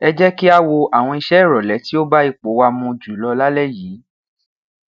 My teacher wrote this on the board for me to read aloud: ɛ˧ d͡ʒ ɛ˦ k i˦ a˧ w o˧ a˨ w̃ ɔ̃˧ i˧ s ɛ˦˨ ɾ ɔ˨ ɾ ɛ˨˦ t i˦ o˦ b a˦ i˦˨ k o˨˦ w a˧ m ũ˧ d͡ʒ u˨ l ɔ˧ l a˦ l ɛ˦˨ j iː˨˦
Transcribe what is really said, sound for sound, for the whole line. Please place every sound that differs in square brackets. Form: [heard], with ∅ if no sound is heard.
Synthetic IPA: ɛ˧ d͡ʒ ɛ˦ k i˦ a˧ w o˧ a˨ w̃ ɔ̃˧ i˧ [ʃ] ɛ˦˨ ɾ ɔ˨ [l] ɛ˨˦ t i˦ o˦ b a˦ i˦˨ [k͡p] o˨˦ w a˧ m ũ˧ d͡ʒ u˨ l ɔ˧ l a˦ l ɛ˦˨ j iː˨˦